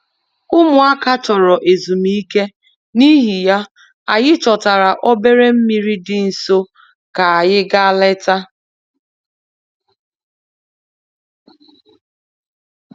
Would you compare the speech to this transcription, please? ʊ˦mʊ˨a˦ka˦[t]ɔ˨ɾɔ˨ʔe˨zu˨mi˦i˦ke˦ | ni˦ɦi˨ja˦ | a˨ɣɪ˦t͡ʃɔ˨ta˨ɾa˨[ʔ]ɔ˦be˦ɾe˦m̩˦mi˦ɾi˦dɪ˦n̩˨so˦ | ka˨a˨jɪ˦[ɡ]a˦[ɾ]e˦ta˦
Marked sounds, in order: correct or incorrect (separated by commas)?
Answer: incorrect, correct, correct, incorrect